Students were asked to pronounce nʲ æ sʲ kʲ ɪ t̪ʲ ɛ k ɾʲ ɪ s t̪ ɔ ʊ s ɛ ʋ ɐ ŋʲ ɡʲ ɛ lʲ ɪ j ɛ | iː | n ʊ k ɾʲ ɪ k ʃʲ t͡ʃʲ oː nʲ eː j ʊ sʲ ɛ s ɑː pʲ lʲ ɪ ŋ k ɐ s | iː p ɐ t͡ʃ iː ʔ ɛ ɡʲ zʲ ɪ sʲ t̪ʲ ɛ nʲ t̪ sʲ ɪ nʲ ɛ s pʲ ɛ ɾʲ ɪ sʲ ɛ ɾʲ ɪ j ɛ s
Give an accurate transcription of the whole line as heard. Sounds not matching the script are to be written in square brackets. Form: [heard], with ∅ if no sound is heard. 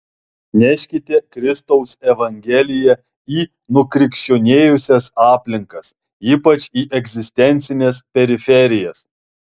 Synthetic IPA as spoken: nʲ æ [ʃʲ] kʲ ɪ t̪ʲ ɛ k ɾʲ ɪ s t̪ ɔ ʊ s ɛ ʋ ɐ ŋʲ ɡʲ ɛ lʲ ɪ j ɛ | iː | n ʊ k ɾʲ ɪ k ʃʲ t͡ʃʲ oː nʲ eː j ʊ sʲ ɛ s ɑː pʲ lʲ ɪ ŋ k ɐ s | iː p ɐ t͡ʃ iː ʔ ɛ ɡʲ zʲ ɪ sʲ t̪ʲ ɛ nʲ t̪ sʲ ɪ nʲ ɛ s pʲ ɛ ɾʲ ɪ [fʲ] ɛ ɾʲ ɪ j ɛ s